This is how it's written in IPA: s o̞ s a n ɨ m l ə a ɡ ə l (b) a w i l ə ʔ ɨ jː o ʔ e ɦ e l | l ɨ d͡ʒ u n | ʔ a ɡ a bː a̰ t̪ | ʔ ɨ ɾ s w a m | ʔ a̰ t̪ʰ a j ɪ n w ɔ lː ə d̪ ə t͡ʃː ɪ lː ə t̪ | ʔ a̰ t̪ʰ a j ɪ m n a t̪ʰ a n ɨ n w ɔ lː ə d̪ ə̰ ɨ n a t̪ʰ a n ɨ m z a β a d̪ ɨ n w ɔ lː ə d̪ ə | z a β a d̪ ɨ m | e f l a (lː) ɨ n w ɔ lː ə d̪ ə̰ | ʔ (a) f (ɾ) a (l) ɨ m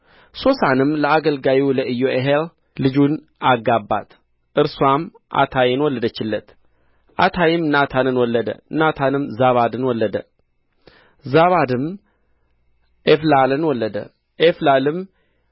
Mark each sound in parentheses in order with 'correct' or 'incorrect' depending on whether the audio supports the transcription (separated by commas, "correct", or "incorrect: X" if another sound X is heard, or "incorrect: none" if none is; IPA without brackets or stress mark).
incorrect: ɡ, incorrect: l, incorrect: e, incorrect: l, correct